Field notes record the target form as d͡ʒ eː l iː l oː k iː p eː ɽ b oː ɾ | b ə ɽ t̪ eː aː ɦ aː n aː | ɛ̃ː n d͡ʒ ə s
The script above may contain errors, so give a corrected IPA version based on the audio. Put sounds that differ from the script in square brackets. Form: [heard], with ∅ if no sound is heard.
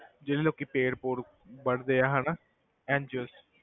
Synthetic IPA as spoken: d͡ʒ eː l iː l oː k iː p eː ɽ [p] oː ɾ | b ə ɽ [d̪] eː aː ɦ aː n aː | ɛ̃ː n d͡ʒ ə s

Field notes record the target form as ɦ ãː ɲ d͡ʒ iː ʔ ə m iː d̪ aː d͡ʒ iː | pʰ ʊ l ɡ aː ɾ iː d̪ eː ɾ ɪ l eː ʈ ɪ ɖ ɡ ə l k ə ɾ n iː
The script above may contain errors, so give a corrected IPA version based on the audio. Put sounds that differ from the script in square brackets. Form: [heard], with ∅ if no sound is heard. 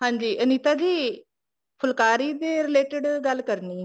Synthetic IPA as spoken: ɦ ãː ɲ d͡ʒ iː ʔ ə [n] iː [t̪] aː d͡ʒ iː | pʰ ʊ l [k] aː ɾ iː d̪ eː ɾ ɪ l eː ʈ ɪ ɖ ɡ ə l k ə ɾ n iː

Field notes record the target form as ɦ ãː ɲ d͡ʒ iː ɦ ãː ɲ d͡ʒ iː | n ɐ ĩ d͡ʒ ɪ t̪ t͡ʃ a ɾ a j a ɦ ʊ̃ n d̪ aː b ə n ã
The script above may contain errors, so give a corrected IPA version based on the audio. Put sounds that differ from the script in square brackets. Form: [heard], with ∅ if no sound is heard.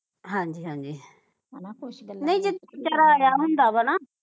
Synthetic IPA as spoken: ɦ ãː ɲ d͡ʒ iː ɦ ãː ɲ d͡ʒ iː | n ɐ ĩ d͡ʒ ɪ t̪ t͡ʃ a ɾ a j a ɦ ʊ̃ n d̪ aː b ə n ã

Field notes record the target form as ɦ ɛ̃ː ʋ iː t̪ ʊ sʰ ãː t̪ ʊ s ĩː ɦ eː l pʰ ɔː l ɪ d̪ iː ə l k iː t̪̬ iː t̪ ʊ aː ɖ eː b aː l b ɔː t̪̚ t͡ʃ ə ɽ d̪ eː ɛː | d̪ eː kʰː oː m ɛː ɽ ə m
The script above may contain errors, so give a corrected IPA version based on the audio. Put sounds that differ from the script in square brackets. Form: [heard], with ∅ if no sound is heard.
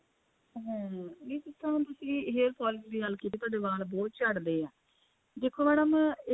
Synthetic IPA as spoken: ɦ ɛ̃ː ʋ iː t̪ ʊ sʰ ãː t̪ ʊ s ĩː ɦ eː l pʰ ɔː l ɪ d̪ iː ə l k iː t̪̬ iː t̪ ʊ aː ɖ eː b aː l b ɔː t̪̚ t͡ʃ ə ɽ d̪ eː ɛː | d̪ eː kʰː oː m ɛː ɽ ə m

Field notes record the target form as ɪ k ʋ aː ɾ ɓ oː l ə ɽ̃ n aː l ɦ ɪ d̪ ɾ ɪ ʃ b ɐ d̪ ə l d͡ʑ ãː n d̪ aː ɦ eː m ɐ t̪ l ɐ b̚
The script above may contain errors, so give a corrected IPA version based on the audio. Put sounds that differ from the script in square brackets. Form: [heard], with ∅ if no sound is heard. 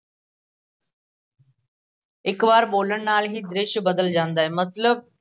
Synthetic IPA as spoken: ɪ k ʋ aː ɾ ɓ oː l ə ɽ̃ n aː l ɦ [i] d̪ ɾ ɪ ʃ b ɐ d̪ ə l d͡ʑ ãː n d̪ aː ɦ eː m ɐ t̪ l [ə] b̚

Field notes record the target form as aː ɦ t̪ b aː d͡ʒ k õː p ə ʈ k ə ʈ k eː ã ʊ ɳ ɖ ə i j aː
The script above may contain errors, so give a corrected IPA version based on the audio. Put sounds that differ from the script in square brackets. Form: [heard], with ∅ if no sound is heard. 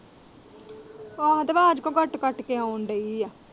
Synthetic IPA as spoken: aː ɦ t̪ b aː d͡ʒ k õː [k] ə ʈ k ə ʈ k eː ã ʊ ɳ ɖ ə i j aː

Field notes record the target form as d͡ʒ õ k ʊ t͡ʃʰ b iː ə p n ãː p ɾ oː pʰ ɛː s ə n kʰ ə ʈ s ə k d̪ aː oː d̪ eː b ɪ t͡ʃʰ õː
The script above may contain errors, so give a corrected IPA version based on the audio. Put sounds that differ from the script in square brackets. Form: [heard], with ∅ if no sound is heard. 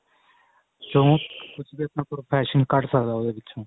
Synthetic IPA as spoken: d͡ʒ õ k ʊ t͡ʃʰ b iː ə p n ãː p ɾ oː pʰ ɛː [ʃ] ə n [k] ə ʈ s ə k d̪ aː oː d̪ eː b ɪ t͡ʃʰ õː

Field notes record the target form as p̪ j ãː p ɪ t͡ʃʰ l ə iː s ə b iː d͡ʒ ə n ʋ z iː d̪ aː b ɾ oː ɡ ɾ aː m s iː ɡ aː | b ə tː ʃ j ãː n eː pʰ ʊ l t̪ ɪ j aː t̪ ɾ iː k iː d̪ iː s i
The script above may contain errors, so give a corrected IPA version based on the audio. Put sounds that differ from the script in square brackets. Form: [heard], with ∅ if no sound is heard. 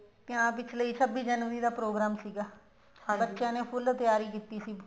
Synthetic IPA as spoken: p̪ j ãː p ɪ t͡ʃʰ l ə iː s ə b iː d͡ʒ ə n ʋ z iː d̪ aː [p] ɾ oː ɡ ɾ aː m s iː ɡ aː | b ə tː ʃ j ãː n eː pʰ ʊ l t̪ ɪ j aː [∅] ɾ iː k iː [t̪] iː s [iː]

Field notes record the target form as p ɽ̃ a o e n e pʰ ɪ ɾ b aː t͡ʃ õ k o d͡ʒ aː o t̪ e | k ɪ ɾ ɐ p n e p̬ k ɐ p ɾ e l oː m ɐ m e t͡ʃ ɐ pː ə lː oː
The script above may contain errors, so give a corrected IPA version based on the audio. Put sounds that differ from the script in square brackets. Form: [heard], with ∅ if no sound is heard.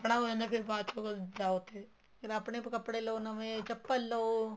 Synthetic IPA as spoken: p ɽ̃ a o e n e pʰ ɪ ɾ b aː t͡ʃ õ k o d͡ʒ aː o t̪ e | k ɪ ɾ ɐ p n e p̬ k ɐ p [ɽ] e l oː [n] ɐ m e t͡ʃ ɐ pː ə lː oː

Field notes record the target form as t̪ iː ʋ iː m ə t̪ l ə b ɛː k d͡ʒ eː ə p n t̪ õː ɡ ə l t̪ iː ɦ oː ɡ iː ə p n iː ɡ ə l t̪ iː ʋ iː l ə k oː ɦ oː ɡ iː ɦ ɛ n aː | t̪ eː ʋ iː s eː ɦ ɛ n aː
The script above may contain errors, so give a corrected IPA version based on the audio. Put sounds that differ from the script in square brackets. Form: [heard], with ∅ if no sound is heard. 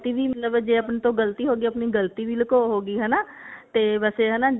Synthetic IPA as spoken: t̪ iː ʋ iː m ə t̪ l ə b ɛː [∅] d͡ʒ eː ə p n t̪ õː ɡ ə l t̪ iː ɦ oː ɡ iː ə p n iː ɡ ə l t̪ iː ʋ iː l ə k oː ɦ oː ɡ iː ɦ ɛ n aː | t̪ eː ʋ [ɛː] s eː ɦ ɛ n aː

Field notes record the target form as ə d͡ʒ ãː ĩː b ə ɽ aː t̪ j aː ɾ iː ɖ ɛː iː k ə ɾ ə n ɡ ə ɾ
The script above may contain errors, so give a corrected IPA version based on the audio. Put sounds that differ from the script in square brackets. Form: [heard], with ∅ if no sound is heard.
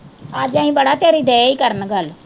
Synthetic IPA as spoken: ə d͡ʒ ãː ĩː b ə ɽ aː t̪ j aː ɾ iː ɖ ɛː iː k ə ɾ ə n ɡ ə [l]

